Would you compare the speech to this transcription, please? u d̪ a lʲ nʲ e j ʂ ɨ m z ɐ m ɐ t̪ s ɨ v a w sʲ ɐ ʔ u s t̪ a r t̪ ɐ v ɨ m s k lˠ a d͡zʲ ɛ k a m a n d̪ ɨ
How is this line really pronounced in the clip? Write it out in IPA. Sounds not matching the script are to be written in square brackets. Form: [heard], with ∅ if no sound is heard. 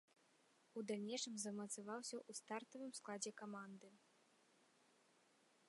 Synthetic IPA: u d̪ a lʲ nʲ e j ʂ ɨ m z ɐ m ɐ t̪ s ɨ v a w sʲ ɐ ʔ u s t̪ a r t̪ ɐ v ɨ m s k lˠ a d͡zʲ ɛ k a m a n d̪ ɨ